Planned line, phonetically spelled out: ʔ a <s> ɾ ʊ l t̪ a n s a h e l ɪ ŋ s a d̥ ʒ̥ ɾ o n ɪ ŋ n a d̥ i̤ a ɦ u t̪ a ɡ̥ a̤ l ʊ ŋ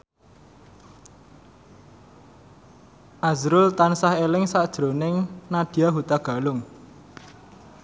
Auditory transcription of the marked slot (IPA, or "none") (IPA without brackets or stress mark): z